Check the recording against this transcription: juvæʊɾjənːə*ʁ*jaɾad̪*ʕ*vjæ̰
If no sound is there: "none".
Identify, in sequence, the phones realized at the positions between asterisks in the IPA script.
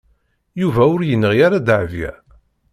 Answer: ʁ, ʕ

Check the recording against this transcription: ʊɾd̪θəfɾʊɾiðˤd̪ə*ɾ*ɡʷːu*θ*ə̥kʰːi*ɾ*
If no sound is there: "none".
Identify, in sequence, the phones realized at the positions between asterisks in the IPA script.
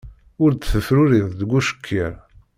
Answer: none, ʃ, ɾ

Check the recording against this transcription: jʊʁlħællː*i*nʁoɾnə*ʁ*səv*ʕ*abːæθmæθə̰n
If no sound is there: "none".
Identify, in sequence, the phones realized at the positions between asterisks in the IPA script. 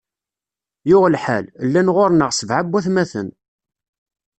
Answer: æ, ʁ, ʕ

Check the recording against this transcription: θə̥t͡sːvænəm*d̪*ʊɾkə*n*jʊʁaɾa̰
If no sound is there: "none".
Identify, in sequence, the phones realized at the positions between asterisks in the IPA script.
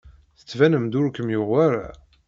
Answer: d̪, m

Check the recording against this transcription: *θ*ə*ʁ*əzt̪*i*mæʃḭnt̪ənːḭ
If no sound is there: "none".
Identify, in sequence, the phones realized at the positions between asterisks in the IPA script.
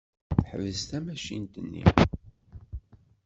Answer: ħ, v, æ

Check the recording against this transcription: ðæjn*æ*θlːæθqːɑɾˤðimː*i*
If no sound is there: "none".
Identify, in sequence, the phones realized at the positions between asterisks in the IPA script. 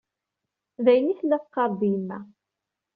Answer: i, æ

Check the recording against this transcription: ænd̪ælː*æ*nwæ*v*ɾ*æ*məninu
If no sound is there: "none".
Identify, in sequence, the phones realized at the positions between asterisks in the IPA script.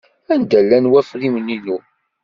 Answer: æ, f, i

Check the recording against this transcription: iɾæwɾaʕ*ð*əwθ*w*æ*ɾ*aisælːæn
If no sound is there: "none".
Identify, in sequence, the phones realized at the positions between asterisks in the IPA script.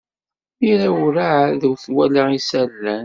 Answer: ð, w, l

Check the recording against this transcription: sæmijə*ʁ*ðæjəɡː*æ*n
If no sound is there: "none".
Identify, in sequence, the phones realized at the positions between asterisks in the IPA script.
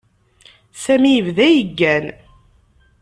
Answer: v, æ

